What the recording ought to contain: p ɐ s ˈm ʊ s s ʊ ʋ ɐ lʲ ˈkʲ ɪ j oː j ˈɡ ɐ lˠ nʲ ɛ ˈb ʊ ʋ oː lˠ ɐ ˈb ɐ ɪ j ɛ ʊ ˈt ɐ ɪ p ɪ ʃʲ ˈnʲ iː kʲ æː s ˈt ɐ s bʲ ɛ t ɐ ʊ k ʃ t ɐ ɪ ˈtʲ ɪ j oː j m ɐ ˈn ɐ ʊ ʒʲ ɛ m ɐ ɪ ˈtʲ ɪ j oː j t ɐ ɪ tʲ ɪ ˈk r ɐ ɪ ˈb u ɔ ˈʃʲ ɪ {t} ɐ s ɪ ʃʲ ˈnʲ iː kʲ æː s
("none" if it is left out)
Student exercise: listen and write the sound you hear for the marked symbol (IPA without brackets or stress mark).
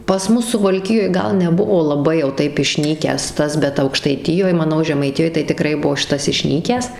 t